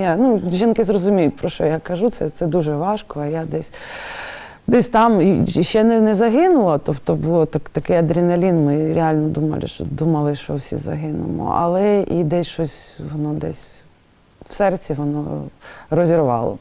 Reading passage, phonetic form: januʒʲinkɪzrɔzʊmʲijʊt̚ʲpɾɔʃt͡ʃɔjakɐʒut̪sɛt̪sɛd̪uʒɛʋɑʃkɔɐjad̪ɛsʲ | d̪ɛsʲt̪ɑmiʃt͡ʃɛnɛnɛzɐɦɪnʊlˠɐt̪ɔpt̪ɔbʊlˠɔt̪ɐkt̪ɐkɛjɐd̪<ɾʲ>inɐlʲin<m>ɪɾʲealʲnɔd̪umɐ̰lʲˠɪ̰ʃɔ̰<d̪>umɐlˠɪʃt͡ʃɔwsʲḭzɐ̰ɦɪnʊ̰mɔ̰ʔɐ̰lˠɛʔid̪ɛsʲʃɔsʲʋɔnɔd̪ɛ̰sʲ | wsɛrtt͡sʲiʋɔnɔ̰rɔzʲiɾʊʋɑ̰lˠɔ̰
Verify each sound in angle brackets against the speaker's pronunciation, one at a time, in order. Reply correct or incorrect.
correct, correct, correct

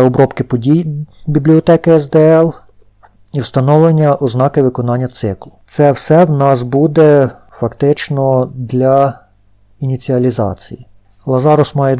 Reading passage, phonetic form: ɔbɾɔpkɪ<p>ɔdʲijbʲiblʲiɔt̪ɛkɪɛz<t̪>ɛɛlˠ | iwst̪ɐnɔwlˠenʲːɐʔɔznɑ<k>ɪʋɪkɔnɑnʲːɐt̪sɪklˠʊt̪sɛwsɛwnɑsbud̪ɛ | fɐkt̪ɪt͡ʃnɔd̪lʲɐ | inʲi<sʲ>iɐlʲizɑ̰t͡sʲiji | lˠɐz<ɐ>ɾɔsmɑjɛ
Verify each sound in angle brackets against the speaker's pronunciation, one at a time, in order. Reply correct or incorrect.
correct, incorrect, correct, incorrect, incorrect

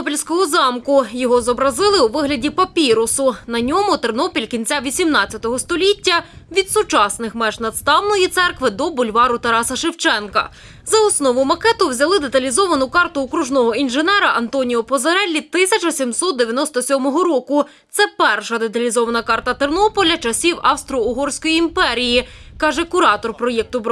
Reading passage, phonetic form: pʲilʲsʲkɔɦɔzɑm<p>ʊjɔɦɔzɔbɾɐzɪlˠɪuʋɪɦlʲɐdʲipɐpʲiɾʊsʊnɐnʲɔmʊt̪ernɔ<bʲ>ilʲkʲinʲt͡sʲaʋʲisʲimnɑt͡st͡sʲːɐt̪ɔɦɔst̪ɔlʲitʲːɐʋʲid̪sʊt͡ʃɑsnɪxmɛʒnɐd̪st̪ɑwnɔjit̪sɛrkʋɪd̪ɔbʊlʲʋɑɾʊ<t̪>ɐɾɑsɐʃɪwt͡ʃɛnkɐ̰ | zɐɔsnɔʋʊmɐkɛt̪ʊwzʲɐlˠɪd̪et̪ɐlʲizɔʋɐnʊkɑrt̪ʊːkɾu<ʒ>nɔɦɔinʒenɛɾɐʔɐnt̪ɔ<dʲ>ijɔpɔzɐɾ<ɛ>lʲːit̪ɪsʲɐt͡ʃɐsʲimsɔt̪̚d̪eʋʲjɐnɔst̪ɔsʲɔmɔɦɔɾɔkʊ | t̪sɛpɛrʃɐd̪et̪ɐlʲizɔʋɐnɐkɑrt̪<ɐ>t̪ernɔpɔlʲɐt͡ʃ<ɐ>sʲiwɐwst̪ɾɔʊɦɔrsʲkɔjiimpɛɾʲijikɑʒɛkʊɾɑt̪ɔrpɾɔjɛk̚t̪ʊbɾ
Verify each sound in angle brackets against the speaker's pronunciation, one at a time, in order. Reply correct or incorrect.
incorrect, incorrect, correct, correct, incorrect, correct, correct, correct

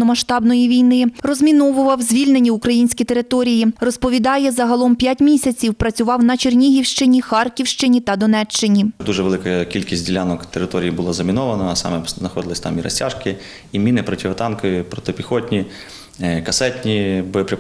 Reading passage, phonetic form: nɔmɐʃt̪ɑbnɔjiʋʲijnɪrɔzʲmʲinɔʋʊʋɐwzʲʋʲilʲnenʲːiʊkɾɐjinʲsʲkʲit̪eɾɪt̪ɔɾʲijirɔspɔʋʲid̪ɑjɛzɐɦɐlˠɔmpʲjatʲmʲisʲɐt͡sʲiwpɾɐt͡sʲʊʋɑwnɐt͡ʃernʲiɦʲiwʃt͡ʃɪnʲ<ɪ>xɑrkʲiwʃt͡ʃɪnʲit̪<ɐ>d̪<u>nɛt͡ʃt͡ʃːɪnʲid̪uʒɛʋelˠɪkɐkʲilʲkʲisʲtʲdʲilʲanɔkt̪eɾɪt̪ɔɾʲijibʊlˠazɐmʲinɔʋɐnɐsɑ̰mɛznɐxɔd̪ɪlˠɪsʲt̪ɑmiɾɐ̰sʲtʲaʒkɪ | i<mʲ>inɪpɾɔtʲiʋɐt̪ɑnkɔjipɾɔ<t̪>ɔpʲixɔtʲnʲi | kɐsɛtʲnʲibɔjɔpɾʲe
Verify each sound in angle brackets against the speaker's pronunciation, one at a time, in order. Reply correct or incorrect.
incorrect, correct, incorrect, correct, correct

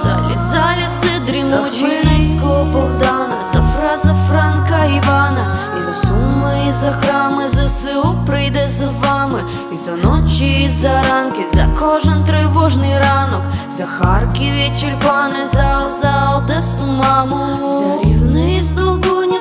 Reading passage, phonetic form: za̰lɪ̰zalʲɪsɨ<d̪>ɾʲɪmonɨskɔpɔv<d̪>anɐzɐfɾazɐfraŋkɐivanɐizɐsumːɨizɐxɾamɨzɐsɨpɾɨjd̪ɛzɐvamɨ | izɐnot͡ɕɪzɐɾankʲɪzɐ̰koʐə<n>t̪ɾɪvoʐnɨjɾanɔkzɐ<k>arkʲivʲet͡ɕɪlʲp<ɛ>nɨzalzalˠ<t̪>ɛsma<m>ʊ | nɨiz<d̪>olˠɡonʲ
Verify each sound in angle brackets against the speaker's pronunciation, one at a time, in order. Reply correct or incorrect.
correct, correct, correct, incorrect, incorrect, incorrect, correct, correct

